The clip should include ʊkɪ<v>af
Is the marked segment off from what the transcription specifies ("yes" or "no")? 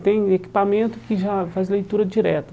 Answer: yes